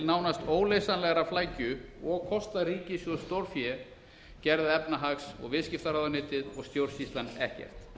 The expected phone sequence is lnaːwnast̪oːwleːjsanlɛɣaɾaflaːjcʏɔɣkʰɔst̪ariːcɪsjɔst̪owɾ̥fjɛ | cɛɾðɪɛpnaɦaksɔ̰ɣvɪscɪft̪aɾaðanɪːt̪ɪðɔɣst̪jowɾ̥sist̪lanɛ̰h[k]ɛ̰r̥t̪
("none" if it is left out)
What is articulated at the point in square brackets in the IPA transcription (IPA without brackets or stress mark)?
c